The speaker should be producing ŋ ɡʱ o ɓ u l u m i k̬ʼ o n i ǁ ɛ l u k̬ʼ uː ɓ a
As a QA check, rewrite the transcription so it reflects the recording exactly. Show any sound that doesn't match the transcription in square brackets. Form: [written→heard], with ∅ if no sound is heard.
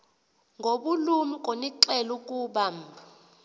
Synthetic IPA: ŋ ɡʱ o ɓ u l u m i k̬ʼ o n i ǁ ɛ l u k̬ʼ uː ɓ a